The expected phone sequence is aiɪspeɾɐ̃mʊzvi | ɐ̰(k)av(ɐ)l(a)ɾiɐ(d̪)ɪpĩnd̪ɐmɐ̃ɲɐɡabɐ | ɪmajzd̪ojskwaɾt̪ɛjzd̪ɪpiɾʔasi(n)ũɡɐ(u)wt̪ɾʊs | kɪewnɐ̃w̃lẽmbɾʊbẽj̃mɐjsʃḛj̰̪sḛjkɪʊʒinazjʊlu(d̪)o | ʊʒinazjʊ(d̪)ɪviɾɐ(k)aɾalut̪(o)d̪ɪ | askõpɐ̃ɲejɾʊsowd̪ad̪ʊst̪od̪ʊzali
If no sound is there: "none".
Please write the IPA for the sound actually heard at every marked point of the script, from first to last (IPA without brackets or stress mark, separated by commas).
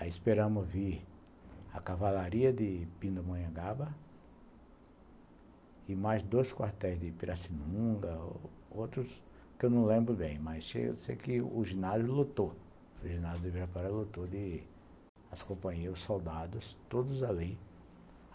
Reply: k, a, a, d̪, n, o, t̪, d̪, p, o